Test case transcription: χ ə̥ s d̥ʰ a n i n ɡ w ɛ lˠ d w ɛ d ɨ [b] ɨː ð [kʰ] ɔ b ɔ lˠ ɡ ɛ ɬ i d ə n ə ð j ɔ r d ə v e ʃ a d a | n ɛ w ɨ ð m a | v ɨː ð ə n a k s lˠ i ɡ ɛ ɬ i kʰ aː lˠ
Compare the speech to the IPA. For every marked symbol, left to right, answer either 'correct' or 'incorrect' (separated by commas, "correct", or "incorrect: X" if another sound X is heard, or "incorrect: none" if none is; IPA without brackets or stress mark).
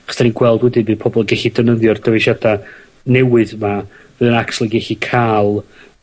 correct, incorrect: pʰ